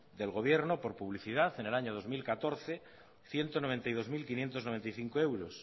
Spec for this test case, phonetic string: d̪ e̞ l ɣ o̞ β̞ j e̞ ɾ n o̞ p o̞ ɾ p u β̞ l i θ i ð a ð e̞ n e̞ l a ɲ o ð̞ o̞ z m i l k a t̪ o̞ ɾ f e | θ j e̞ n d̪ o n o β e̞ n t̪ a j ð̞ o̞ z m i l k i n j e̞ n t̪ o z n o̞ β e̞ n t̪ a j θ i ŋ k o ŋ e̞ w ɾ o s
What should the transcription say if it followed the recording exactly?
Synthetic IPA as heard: d̪ e̞ l ɣ o̞ β̞ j e̞ ɾ n o̞ p o̞ ɾ p u β̞ l i θ i ð a θ e̞ n e̞ l a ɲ o ð̞ o̞ z m i l k a t̪ o̞ ɾ θ e | θ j e̞ n t̪ o n o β e̞ n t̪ a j ð̞ o̞ z m i l k i n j e̞ n t̪ o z n o̞ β e̞ n t̪ a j θ i ŋ k o e̞ w ɾ o s